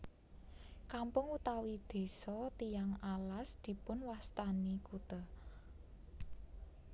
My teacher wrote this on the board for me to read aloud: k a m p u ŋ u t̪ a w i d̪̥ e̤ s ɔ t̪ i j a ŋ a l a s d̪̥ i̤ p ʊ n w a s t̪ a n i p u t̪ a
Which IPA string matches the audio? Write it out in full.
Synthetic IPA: k a m p ʊ ŋ u t̪ a w i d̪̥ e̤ s ɔ t̪ i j a ŋ a l a s d̪̥ i̤ p ʊ n w a s t̪ a n i k u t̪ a